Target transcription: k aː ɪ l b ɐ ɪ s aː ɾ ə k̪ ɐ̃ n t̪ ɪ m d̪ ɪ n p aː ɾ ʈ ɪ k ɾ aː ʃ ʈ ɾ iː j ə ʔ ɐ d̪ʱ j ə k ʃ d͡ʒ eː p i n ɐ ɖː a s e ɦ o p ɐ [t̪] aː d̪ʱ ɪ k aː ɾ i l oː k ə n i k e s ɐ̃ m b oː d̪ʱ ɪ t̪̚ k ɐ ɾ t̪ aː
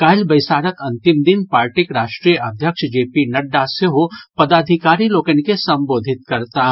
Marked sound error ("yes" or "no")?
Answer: yes